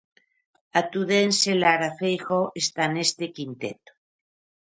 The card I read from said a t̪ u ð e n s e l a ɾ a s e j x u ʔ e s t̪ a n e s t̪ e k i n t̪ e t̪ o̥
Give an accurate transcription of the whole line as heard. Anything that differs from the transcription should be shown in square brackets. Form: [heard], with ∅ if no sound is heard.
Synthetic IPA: a t̪ u ð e n s e l a ɾ a [f] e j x [o] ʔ e s t̪ a n e s t̪ e k i n t̪ e t̪ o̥